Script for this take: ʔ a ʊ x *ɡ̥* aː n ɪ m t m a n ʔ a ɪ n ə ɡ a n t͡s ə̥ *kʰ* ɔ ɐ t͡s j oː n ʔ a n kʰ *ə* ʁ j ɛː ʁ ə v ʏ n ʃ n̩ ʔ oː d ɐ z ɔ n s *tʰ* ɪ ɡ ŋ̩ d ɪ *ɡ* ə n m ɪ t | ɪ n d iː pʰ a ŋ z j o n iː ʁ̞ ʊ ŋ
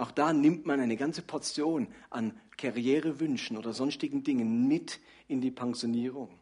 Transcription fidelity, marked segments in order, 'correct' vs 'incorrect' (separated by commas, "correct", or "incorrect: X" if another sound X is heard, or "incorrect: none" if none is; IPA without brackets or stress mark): incorrect: d̥, incorrect: pʰ, incorrect: a, incorrect: t, incorrect: ŋ